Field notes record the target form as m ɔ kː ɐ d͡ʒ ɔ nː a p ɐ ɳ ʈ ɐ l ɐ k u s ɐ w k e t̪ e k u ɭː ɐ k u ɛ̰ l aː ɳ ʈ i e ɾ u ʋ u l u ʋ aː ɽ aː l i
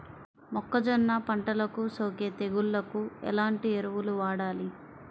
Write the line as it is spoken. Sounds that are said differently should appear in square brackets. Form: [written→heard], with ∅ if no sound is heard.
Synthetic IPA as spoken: m ɔ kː ɐ d͡ʒ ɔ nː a p ɐ ɳ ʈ ɐ l ɐ k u s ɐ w k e t̪ e [k→ɡ] u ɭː ɐ k u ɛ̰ l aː ɳ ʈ i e ɾ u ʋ u l u ʋ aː ɽ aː l i